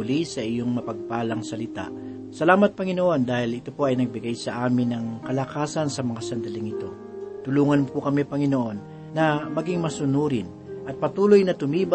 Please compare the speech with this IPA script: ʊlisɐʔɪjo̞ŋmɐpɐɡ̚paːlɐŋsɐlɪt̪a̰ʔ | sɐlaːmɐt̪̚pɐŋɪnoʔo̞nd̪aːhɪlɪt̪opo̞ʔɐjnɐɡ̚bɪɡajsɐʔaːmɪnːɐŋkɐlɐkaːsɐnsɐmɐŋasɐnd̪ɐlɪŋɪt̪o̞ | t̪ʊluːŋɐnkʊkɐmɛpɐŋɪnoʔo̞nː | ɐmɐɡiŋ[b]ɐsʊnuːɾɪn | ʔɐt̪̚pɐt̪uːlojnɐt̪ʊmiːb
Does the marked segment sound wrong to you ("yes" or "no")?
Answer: yes